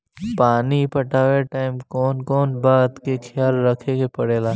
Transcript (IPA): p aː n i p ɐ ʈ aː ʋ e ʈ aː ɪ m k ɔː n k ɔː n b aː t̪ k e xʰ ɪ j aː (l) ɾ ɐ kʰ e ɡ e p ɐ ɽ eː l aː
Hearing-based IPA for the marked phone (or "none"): l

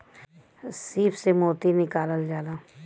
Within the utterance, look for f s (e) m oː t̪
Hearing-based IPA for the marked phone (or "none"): e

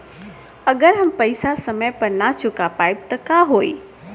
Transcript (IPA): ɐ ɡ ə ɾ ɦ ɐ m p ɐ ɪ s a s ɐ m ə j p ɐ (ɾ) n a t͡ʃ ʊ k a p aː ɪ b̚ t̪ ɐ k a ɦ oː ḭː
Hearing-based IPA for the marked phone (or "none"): ɾ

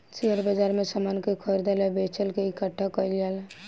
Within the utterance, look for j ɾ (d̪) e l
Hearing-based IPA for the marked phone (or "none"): d̪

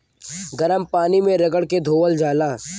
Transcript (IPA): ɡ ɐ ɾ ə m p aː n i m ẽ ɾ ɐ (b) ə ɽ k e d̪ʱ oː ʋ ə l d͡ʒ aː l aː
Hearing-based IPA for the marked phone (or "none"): ɡ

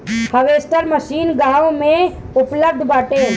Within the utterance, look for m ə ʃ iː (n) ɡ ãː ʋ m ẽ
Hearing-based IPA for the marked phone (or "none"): n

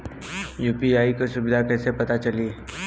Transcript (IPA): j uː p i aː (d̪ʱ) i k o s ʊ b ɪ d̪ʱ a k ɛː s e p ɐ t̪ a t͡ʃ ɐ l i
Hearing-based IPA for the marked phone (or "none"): none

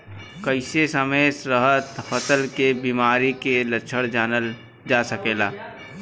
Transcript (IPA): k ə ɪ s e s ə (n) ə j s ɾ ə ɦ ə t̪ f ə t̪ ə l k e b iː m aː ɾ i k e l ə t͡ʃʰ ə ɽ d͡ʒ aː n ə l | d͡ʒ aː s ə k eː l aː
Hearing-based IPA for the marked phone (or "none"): m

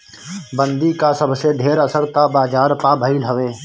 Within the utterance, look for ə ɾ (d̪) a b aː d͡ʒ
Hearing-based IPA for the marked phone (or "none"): t̪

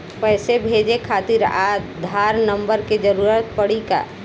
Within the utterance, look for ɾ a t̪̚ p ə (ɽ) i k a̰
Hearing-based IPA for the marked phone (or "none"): ɽ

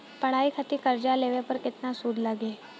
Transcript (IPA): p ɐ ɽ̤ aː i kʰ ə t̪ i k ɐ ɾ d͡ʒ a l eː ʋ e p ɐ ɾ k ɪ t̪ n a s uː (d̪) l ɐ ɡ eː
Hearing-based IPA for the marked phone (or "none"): d̪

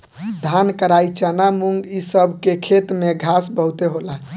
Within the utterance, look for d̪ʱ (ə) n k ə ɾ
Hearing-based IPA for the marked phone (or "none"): a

